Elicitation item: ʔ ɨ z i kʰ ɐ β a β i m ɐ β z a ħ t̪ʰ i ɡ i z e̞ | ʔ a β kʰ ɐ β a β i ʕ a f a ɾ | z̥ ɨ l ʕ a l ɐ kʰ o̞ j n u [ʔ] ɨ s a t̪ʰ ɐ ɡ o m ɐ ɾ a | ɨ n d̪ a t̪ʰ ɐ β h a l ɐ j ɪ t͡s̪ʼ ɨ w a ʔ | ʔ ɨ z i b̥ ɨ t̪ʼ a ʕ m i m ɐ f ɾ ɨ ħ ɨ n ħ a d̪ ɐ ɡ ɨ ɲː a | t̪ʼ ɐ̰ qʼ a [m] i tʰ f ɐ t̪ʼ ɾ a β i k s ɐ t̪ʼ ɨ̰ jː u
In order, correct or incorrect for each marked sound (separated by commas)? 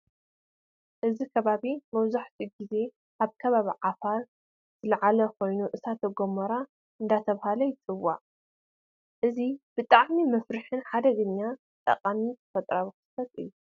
correct, correct